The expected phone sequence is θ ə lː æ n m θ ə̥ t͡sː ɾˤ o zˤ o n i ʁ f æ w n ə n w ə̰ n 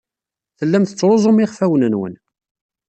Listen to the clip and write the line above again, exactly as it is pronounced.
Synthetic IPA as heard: θ ə lː æ m θ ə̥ t͡sː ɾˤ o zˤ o m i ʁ f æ w n ə n w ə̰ n